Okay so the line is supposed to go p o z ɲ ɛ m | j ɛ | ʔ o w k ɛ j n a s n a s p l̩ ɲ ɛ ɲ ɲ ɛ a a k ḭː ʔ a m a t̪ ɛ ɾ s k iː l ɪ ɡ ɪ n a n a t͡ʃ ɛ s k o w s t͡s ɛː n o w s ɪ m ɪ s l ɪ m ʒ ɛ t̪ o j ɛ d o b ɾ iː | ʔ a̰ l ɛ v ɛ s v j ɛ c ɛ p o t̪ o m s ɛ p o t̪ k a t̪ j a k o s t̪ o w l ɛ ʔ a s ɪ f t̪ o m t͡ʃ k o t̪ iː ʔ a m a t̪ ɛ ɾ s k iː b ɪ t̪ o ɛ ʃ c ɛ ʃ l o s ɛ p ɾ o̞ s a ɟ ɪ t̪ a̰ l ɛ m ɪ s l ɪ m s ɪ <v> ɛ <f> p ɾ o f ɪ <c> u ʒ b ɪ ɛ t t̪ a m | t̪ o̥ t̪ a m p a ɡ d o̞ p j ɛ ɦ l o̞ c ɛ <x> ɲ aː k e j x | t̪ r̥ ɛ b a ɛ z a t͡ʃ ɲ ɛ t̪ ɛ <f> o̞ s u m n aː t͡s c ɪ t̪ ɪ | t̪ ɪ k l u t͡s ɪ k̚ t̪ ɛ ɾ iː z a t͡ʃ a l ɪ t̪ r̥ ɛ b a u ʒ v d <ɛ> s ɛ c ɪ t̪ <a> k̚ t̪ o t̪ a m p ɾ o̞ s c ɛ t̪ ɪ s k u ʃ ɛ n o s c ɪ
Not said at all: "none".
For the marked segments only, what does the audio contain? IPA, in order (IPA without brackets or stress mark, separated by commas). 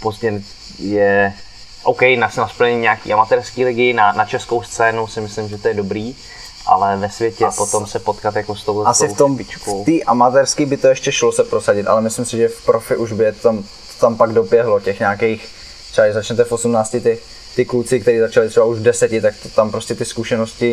ʒ, f, ʔ, x, f, ɛ, a